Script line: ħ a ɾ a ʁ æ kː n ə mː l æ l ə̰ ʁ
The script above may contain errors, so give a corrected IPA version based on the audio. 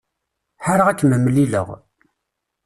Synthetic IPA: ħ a ɾ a ʁ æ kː m ə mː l i l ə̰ ʁ